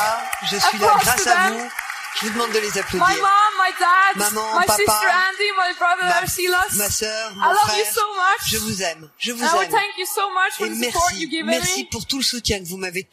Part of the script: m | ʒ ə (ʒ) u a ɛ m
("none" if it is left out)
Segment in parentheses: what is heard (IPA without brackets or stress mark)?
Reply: v